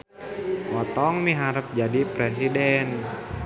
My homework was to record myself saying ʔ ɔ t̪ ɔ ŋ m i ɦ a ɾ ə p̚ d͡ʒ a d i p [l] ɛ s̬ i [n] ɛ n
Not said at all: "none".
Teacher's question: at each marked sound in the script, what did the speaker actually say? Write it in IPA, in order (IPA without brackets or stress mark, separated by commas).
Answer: ɾ, d